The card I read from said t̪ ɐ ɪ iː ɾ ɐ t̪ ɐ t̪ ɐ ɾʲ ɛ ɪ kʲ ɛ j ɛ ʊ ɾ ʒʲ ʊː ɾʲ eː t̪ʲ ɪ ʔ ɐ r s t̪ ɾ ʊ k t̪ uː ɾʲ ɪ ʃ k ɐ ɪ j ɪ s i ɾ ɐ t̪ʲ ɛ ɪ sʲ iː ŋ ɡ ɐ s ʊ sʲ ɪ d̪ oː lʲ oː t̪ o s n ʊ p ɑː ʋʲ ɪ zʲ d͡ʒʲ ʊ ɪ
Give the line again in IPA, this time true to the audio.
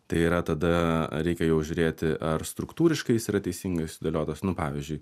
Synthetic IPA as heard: t̪ ɐ ɪ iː ɾ ɐ t̪ ɐ d̪ ɐ ɾʲ ɛ ɪ kʲ ɛ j ɛ ʊ ʒʲ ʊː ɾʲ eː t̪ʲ ɪ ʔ ɐ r s t̪ ɾ ʊ k t̪ uː ɾʲ ɪ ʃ k ɐ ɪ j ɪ s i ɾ ɐ t̪ʲ ɛ ɪ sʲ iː ŋ ɡ ɐ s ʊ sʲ ɪ d̪ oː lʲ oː t̪ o s n ʊ p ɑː ʋʲ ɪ zʲ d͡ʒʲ ʊ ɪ